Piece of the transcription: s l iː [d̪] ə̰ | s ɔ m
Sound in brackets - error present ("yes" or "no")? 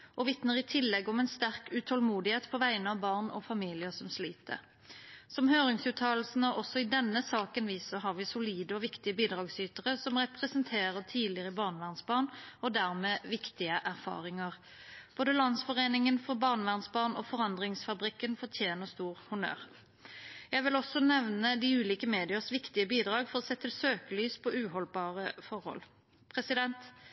yes